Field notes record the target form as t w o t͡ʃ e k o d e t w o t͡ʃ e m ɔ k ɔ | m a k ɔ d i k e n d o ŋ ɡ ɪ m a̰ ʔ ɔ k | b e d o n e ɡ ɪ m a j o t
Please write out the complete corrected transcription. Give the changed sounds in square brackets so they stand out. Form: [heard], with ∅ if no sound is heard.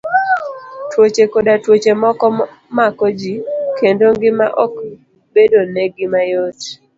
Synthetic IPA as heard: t w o t͡ʃ e k o d [a] t w o t͡ʃ e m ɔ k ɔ | m a k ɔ [d͡ʒ] i k e n d o ŋ ɡ ɪ m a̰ ʔ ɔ k | b e d o n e ɡ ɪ m a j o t